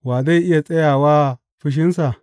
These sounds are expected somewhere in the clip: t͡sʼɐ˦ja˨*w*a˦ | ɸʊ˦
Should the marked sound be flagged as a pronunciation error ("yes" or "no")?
no